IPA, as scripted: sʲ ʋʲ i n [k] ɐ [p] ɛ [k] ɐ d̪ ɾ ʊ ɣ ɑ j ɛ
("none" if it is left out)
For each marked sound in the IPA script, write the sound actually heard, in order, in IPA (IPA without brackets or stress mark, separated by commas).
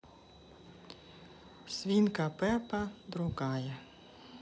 k, p, p